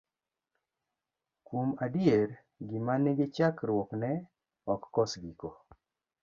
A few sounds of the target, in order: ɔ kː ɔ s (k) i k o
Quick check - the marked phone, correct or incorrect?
incorrect